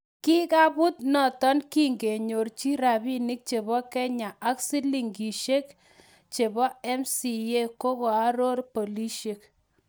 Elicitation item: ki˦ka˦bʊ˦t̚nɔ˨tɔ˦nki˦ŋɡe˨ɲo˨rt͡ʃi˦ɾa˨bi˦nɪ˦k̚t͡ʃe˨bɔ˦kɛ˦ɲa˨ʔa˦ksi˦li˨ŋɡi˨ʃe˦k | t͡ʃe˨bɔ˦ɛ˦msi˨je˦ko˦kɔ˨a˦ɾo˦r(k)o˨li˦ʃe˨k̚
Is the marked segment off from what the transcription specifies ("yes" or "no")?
yes